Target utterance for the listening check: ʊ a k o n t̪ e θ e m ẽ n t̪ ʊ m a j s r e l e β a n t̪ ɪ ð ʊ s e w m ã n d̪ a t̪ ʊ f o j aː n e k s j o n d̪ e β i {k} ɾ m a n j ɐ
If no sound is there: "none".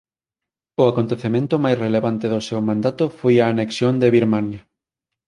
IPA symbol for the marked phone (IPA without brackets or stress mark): none